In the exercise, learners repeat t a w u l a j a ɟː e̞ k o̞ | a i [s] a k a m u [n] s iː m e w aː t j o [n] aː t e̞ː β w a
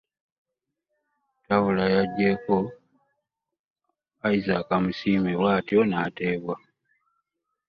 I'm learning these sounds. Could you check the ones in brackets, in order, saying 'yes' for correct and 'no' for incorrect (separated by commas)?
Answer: no, no, yes